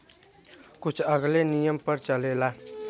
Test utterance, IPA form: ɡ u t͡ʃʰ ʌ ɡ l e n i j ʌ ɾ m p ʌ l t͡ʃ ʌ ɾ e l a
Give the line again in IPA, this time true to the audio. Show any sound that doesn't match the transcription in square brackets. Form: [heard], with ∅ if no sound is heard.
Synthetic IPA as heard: [k] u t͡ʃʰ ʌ ɡ l e n i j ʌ [∅] m p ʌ [ɾ] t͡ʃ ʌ [l] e l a

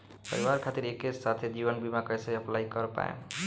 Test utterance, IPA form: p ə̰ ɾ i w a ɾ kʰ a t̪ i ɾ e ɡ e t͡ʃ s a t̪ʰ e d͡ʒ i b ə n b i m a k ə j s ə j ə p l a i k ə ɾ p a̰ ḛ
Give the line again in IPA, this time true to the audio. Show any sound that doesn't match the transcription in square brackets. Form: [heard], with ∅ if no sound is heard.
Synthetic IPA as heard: p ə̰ ɾ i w a ɾ kʰ a t̪ i ɾ e [k] e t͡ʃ s a t̪ʰ e d͡ʒ i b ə n b i m a k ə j s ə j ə p l a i k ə ɾ p a̰ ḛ

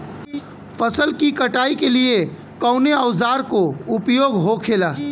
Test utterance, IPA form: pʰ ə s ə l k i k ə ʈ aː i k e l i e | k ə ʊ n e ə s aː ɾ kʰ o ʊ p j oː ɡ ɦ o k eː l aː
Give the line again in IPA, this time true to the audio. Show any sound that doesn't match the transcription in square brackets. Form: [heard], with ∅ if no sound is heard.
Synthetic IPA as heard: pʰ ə s ə l k i k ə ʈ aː i k e l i e | k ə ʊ n e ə [z] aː ɾ [k] o ʊ p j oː ɡ ɦ o [kʰ] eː l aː

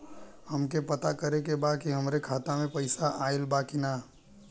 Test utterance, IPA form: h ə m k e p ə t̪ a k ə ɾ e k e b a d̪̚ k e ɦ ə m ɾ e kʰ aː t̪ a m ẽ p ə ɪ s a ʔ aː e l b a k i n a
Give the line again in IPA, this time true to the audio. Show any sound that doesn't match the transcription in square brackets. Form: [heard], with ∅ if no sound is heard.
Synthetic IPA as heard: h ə m k e p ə t̪ a k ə ɾ e k e b a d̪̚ k [i] ɦ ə m ɾ e kʰ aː t̪ a m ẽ p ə ɪ s a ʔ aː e l b a k i n a

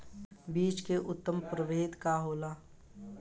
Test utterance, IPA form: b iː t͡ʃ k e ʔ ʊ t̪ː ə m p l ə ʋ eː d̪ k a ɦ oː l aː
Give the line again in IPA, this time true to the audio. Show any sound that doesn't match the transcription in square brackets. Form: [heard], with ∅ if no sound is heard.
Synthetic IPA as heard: b iː t͡ʃ k e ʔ ʊ t̪ː ə m p [ɾ] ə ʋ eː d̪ k a ɦ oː l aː

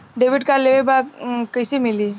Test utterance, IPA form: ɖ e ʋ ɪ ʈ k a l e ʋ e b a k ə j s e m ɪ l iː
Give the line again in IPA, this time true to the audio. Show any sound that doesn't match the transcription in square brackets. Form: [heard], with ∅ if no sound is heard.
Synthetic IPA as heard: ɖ e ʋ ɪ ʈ k a l e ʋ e b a k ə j s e m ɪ l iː

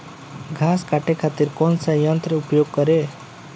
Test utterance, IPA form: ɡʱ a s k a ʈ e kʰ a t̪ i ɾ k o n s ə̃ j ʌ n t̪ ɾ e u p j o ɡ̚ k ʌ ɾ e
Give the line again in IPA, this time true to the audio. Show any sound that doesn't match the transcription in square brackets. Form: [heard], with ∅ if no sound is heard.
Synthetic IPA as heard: ɡʱ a s k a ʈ e kʰ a t̪ i ɾ k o n s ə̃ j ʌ n t̪ ɾ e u p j o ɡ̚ k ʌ ɾ e

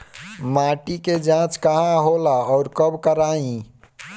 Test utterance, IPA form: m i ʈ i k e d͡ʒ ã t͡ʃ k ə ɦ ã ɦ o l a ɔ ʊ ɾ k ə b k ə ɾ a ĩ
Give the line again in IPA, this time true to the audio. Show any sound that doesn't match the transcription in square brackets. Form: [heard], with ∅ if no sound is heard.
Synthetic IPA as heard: m [a] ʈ i k e d͡ʒ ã t͡ʃ k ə ɦ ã ɦ o l a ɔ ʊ ɾ k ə b k ə ɾ a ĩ

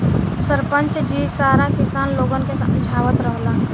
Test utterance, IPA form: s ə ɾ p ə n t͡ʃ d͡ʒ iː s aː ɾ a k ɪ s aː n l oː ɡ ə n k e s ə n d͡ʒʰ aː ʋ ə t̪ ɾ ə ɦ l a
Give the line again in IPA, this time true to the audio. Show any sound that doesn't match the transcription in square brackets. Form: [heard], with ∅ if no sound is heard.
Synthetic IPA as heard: s ə ɾ p ə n t͡ʃ d͡ʒ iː s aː ɾ a k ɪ s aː n l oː ɡ ə n k e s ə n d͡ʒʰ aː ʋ ə t̪ ɾ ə ɦ l a

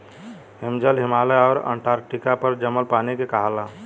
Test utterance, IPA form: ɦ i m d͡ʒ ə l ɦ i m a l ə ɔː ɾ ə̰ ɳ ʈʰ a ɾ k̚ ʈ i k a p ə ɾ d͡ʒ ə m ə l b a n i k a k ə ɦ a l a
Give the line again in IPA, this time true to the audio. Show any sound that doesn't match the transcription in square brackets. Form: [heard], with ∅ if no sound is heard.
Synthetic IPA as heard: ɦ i m d͡ʒ ə l ɦ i m a l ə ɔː ɾ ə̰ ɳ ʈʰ a ɾ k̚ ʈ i k a p ə ɾ d͡ʒ ə m ə l [p] a n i k [e] k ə ɦ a l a

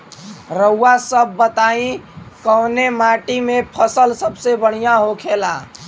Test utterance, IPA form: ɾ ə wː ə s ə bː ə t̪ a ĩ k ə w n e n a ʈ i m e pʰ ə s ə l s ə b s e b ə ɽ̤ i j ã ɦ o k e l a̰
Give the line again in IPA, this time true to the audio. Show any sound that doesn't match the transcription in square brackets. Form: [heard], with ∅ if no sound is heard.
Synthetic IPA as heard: ɾ ə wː [a] s ə bː ə t̪ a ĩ k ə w n e [m] a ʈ i m e pʰ ə s ə l s ə b s e b ə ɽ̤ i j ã ɦ o [kʰ] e l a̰

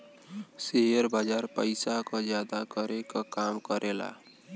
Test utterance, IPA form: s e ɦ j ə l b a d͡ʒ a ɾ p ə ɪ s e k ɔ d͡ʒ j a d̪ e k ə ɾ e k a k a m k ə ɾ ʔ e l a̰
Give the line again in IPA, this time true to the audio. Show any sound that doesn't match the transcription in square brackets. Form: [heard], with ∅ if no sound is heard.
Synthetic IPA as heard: s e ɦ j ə [ɾ] b a d͡ʒ a ɾ p ə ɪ s [a] k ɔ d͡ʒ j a d̪ [a] k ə ɾ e k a k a m k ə ɾ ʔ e l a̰

